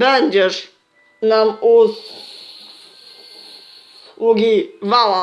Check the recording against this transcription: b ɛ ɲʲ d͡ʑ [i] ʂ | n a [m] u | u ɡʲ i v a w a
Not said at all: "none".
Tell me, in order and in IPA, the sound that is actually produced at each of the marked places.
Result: ɛ, m

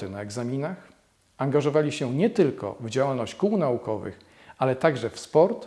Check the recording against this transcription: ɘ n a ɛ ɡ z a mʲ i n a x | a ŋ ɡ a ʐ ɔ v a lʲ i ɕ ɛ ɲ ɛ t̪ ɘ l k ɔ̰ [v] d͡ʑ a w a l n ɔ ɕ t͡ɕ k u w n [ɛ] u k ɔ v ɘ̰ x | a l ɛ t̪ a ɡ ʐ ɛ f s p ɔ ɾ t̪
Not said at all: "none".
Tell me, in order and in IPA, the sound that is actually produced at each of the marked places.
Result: v, a

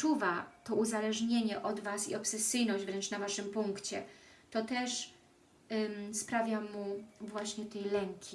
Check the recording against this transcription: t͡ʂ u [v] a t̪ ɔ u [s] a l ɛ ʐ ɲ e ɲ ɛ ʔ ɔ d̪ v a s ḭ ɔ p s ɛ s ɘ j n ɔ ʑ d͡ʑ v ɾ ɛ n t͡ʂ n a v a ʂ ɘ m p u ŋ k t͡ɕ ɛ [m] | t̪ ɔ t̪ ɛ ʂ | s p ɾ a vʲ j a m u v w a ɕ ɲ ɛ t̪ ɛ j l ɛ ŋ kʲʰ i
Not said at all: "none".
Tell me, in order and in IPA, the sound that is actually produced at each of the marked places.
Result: v, z, none

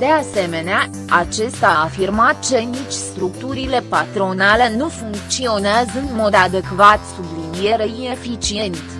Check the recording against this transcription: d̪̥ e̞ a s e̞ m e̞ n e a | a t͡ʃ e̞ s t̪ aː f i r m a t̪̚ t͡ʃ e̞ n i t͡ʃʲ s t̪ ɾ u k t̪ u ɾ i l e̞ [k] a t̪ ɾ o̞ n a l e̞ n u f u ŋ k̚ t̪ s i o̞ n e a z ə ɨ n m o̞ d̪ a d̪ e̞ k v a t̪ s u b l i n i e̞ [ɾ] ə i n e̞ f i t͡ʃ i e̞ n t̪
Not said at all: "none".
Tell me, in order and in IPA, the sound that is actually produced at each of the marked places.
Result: p, ɾ

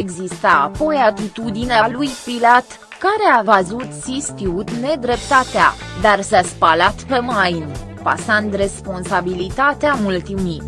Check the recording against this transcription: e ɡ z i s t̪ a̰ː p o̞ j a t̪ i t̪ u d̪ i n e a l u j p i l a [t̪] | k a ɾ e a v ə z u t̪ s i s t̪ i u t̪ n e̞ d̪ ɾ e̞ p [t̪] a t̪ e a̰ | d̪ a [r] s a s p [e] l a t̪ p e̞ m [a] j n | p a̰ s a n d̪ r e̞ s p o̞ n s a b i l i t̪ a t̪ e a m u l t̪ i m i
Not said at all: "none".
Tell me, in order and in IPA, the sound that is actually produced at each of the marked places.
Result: t̪, t̪, r, a, a

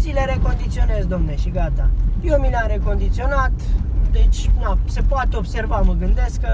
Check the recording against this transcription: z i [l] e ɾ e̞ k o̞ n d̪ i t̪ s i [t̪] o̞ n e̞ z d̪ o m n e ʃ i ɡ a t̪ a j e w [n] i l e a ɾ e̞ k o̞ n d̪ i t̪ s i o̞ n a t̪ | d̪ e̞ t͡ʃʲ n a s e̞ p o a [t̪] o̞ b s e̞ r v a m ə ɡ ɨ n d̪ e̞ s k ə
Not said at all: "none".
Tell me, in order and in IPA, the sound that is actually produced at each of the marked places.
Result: l, none, m, t̪

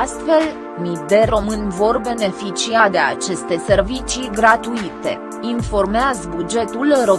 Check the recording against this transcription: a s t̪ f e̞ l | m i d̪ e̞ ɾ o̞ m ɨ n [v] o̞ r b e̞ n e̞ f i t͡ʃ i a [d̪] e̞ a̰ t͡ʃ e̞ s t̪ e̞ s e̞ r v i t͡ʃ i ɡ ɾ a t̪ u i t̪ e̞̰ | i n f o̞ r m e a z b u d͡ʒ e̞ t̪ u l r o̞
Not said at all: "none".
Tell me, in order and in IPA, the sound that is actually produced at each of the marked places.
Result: v, d̪

